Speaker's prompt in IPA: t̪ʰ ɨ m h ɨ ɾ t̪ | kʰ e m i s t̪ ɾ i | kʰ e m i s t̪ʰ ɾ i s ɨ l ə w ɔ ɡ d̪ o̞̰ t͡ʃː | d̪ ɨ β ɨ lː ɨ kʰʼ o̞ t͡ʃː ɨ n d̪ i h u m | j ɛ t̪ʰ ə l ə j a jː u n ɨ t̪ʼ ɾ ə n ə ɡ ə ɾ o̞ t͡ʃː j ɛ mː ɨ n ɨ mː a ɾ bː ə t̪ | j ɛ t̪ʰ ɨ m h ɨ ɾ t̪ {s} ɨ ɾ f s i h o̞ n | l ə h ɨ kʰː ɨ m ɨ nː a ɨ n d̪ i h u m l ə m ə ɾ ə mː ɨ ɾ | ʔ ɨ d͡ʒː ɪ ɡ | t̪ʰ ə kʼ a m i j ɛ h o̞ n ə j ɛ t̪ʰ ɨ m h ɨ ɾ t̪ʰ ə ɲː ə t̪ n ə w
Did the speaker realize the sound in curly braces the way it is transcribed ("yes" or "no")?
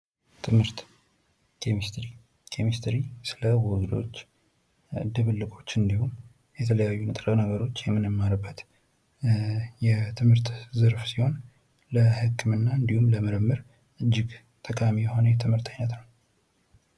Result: no